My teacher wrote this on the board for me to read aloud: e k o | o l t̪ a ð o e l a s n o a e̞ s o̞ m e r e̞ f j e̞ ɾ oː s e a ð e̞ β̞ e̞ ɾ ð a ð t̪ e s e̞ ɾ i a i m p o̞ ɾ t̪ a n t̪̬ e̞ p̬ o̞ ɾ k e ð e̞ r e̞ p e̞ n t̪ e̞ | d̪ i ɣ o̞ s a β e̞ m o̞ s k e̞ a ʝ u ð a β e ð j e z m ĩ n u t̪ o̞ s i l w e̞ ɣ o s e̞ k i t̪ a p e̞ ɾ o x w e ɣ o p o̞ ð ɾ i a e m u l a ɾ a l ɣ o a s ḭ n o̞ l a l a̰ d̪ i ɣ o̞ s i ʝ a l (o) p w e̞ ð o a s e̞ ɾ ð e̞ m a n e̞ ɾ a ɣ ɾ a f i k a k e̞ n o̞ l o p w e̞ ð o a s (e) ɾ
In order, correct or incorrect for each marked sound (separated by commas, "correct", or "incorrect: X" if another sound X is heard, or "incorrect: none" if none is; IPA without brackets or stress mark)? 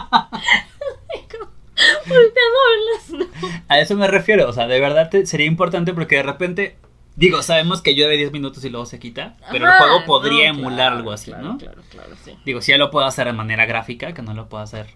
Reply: correct, correct